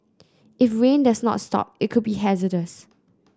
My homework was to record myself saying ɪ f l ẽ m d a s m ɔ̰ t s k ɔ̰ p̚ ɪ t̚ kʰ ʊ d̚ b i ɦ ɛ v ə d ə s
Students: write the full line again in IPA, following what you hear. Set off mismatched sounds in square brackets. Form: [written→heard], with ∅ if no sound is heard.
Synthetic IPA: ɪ f [l→ɹ] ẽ [m→n] d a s [m→n] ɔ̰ t s [k→t] ɔ̰ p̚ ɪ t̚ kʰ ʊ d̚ b i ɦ ɛ [v→z] ə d ə s